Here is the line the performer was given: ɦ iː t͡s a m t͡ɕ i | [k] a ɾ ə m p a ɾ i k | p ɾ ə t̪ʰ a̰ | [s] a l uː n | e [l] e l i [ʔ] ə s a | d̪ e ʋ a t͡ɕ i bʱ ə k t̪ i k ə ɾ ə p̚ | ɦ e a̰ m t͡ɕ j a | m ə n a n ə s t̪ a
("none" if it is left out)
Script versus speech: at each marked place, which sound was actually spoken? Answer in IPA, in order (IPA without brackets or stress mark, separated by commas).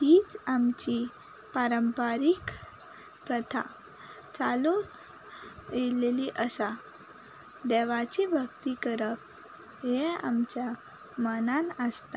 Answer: p, t͡s, l, ʔ